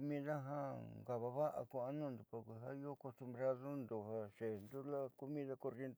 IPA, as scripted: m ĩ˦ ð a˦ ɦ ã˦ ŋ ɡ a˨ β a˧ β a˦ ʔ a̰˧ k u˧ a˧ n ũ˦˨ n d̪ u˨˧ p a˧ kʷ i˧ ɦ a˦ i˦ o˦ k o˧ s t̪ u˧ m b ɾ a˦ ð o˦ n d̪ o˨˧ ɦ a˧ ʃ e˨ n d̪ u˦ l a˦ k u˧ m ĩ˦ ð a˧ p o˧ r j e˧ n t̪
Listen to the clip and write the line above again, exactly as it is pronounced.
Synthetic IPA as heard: m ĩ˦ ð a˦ ɦ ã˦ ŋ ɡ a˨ β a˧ β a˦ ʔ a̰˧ k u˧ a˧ n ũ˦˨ n d̪ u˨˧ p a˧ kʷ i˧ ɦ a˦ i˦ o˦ k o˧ s t̪ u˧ m b ɾ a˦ ð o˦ n d̪ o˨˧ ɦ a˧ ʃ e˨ n d̪ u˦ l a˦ k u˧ m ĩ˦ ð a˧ k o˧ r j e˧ n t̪